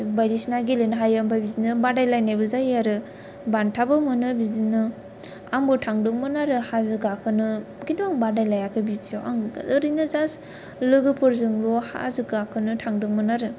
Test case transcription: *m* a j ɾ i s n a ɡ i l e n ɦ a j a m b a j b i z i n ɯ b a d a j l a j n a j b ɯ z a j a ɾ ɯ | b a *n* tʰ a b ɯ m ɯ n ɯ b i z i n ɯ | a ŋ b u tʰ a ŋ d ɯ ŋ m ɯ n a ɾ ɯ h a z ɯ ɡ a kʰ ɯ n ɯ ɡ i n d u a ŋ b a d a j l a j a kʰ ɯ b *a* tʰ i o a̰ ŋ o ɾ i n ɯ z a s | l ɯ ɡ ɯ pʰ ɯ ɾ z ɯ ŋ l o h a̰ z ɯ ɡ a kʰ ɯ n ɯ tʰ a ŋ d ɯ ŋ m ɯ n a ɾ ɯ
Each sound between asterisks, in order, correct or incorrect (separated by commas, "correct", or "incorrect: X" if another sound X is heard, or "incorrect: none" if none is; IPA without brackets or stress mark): incorrect: b, correct, incorrect: i